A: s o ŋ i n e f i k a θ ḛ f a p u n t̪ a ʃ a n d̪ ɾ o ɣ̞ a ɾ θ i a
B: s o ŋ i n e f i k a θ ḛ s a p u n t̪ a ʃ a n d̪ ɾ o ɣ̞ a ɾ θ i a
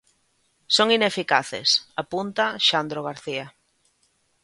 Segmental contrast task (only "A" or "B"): B